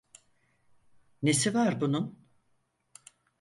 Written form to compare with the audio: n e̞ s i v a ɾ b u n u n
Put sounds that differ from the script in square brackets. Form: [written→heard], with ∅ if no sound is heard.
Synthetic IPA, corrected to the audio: n e̞ s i v a ɾ b u n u n